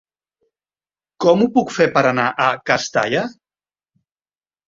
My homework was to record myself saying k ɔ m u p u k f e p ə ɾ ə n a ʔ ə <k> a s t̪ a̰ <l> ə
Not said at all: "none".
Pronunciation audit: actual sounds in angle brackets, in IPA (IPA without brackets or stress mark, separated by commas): k, ʎ